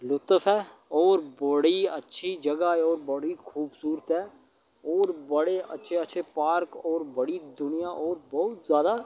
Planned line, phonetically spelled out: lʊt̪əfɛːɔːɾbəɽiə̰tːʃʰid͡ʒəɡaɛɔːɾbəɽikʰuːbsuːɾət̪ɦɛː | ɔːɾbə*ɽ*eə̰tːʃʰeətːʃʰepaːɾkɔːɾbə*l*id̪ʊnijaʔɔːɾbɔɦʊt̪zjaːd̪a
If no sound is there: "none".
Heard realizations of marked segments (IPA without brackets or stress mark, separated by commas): ɽ, ɽ